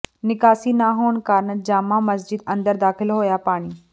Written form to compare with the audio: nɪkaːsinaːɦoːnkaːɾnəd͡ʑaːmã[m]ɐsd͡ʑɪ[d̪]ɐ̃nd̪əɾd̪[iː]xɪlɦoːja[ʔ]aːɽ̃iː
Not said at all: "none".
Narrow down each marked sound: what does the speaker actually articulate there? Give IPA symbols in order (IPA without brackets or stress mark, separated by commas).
m, d̪, aː, p